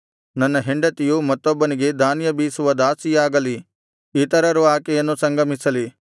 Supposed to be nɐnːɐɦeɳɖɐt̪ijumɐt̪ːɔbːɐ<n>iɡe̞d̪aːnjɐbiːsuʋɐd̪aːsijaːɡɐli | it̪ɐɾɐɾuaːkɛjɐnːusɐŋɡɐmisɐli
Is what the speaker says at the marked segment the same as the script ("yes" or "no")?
yes